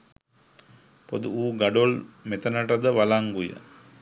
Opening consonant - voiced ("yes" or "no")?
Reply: no